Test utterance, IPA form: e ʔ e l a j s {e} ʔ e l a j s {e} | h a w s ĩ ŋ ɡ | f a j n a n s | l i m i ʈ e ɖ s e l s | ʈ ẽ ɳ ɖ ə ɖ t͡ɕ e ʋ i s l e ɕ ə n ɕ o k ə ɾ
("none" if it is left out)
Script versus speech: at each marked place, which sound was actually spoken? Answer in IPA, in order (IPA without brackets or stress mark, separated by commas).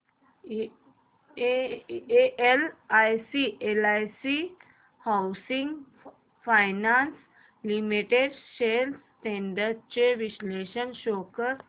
i, i